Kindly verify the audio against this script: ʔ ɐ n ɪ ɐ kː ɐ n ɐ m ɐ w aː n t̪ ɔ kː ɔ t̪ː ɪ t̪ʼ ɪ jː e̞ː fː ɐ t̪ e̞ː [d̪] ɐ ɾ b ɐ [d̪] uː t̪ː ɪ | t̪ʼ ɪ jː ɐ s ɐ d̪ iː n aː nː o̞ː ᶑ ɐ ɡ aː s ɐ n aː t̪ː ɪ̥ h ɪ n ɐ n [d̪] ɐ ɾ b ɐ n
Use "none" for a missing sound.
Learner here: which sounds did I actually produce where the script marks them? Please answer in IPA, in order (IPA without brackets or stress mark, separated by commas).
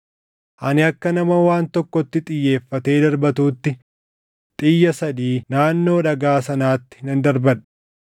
d̪, t̪, d̪